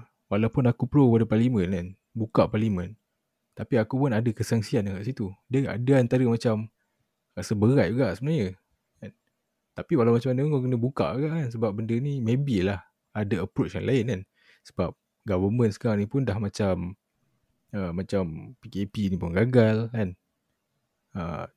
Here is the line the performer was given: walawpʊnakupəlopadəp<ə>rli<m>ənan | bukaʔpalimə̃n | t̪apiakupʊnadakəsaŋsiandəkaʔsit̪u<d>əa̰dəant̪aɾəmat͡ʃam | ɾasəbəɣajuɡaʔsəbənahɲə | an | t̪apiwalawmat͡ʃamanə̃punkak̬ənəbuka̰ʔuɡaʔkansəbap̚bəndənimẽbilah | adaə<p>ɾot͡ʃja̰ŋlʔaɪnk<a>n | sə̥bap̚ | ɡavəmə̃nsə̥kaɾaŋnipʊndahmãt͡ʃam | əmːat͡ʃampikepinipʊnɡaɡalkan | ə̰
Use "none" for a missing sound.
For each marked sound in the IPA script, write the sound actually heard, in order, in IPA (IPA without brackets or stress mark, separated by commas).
a, m, d, p, a